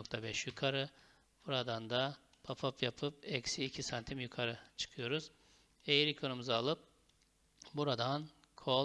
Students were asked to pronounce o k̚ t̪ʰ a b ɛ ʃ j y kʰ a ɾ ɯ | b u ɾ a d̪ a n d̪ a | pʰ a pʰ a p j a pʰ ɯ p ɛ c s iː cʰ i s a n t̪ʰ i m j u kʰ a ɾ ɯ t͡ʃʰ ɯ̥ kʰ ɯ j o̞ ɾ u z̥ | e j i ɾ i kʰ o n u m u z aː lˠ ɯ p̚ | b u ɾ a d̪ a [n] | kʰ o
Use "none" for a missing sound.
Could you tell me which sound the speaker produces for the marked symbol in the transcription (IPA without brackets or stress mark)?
n